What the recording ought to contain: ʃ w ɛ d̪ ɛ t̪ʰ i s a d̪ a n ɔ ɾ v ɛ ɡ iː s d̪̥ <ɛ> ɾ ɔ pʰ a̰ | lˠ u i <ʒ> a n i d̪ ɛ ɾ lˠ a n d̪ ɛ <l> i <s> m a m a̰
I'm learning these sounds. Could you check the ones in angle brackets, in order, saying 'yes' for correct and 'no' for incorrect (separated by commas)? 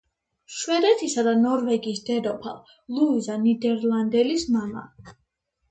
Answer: yes, no, yes, yes